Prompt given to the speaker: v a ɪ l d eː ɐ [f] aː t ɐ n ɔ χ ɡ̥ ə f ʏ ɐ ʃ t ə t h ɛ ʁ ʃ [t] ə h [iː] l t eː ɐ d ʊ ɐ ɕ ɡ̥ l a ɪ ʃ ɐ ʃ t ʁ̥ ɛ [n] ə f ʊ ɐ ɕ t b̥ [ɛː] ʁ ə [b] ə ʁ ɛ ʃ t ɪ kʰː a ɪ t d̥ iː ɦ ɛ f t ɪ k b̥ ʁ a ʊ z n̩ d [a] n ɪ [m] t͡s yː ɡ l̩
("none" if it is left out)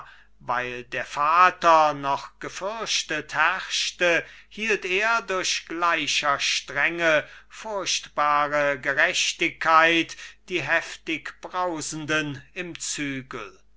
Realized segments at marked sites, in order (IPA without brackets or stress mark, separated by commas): f, t, iː, ŋ, aː, ɡ, ə, m